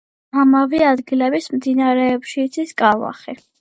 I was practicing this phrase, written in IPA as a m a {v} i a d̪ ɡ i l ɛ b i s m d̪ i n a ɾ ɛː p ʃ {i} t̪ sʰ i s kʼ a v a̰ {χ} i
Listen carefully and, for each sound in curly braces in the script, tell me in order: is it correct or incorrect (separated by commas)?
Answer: correct, incorrect, correct